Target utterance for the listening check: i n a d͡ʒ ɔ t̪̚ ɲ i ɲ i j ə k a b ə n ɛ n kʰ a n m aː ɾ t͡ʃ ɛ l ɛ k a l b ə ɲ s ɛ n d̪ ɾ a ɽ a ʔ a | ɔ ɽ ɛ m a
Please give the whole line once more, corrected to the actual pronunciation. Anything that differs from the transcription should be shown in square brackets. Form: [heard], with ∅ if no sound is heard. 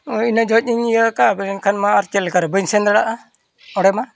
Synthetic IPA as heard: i n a d͡ʒ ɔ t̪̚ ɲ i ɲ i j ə k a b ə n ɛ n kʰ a n m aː ɾ t͡ʃ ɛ l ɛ k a [ɾ] b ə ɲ s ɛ n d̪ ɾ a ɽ a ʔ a | ɔ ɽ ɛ m a